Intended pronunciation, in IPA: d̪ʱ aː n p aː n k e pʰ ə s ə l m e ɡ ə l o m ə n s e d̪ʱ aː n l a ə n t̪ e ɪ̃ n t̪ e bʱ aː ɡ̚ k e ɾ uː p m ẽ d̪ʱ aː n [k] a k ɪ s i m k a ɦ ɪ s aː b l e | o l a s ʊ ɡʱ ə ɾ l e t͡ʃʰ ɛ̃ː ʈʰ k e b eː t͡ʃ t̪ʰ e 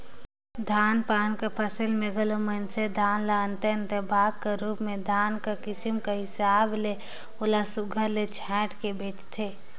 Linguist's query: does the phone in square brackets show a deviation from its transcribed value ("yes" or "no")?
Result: no